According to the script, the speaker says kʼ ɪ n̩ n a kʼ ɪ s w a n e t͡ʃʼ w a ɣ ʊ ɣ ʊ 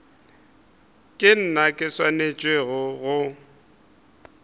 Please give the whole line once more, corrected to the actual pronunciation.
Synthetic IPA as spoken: kʼ ɪ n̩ n a kʼ ɪ s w a n e t͡ʃʼ w e ɣ ʊ ɣ ʊ